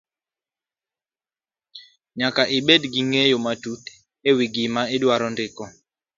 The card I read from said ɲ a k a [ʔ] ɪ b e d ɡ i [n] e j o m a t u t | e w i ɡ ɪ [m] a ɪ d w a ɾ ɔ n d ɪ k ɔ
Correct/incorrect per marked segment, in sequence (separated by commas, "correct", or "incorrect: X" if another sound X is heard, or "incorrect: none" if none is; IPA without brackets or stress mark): correct, incorrect: ŋ, correct